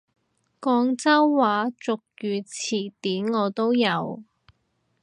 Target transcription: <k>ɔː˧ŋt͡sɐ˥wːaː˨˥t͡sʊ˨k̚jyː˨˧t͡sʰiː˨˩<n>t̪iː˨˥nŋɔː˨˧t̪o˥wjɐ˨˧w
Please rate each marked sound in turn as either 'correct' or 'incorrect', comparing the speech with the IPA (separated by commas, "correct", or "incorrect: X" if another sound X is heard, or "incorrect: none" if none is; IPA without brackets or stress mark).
correct, incorrect: none